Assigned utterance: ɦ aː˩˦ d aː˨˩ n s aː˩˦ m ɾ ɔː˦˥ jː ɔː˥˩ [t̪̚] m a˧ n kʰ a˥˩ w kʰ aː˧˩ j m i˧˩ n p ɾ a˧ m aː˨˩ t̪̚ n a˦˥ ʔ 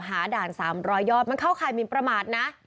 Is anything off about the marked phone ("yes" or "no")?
no